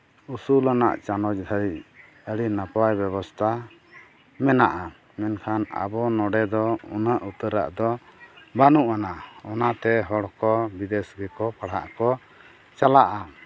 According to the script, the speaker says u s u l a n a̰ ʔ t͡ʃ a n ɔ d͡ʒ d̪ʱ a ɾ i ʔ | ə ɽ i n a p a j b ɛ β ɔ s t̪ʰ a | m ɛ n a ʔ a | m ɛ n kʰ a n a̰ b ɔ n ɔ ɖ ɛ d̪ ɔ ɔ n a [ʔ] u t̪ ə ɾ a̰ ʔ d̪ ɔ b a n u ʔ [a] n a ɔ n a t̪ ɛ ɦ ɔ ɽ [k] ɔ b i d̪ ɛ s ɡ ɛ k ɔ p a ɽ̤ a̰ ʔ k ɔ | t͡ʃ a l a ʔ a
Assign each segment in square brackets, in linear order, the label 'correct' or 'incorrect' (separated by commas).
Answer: correct, correct, correct